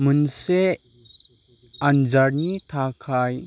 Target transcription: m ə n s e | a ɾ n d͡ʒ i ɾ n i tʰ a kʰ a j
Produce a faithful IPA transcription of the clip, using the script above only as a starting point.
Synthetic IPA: m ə n s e | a n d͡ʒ a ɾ n i tʰ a kʰ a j